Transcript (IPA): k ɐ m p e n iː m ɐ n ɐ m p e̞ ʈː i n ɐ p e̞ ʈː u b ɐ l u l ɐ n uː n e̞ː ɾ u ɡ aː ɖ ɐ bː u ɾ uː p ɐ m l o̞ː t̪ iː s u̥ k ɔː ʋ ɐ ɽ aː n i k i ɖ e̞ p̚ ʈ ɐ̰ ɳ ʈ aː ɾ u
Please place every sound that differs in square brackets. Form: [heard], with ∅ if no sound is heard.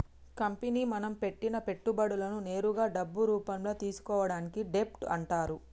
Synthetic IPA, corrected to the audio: k ɐ m p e n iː m ɐ n ɐ m p e̞ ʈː i n ɐ p e̞ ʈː u b ɐ [ɽ] u l ɐ n [u] n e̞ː ɾ u ɡ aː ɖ ɐ bː u ɾ uː p ɐ m l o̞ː t̪ iː s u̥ k ɔː ʋ ɐ ɽ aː n i k i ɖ e̞ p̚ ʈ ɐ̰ ɳ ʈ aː ɾ u